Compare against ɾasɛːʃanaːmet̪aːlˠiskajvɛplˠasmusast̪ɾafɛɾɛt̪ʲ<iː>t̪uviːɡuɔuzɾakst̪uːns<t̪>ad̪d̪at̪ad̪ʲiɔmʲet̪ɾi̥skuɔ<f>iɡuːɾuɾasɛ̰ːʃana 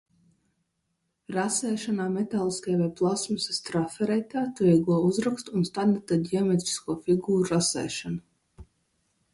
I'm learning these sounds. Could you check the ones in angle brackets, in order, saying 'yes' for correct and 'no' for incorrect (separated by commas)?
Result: no, yes, yes